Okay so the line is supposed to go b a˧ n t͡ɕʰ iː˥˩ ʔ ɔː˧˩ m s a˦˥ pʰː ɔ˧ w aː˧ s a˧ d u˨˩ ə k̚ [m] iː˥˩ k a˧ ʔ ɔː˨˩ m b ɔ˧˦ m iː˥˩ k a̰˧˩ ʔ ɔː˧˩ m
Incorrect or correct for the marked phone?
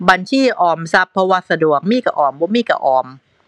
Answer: correct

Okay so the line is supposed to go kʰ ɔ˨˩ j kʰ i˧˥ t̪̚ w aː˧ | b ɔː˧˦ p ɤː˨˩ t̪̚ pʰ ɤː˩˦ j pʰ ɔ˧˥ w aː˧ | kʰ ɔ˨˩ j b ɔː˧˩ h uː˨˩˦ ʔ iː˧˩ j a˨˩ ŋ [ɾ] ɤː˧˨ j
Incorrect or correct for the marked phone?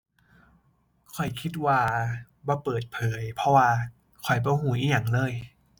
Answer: incorrect: l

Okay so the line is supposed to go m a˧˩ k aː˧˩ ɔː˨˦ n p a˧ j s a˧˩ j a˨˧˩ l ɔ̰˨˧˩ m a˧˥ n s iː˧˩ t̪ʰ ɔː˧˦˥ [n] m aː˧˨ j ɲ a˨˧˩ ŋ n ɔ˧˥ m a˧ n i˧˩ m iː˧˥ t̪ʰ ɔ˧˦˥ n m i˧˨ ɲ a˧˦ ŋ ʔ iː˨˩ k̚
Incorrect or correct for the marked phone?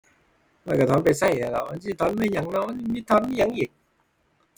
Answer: correct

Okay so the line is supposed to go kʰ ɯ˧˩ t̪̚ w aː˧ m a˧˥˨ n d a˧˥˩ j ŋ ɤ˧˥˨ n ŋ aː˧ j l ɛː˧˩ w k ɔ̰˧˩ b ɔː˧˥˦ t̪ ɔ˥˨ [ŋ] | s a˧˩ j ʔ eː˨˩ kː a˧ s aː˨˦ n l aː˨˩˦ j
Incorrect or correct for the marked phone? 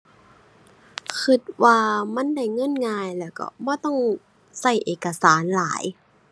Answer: correct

